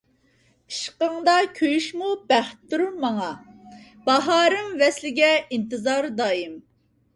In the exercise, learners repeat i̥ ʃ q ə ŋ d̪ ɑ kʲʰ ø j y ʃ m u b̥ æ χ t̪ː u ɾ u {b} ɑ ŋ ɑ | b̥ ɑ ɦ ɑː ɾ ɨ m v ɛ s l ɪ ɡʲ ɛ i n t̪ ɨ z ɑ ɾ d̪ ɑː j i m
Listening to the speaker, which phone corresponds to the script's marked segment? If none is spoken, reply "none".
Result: m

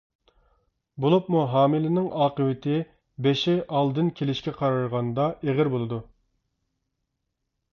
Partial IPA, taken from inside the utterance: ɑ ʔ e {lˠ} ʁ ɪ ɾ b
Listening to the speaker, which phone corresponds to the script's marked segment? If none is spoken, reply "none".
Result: none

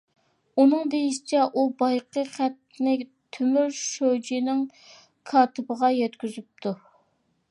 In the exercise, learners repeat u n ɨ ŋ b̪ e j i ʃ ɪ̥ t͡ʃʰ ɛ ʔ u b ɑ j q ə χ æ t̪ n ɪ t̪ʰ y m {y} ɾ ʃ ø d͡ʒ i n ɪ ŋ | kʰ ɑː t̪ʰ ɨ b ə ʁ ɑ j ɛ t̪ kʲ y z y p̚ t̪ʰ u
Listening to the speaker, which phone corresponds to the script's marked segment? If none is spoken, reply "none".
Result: y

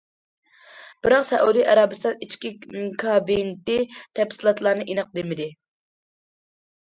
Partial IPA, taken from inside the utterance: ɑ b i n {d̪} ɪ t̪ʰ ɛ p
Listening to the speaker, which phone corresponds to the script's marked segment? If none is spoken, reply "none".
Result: t̪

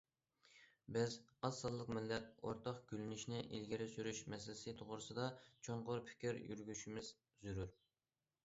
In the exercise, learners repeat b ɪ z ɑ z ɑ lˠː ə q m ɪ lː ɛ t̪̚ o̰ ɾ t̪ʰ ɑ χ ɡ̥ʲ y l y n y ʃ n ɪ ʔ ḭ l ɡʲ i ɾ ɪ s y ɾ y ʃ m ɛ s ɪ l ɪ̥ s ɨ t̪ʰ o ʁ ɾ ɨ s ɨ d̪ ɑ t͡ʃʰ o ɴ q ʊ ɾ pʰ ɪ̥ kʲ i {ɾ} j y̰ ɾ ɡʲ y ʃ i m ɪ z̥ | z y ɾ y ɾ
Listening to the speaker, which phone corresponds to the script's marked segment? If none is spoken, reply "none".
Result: ɾ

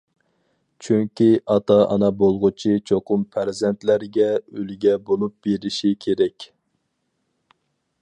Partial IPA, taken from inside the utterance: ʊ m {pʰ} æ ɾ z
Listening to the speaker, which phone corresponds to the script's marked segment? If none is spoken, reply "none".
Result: pʰ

